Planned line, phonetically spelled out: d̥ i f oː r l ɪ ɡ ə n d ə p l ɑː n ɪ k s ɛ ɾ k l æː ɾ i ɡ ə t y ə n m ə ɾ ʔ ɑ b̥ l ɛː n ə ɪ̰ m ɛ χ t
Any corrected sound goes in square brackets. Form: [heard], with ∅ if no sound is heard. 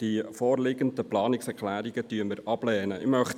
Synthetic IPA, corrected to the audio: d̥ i f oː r l ɪ ɡ ə n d ə p l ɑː n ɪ k s ɛ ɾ k l æː ɾ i ɡ ə t y ə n m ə ɾ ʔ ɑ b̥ l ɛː n ə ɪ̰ m [œ] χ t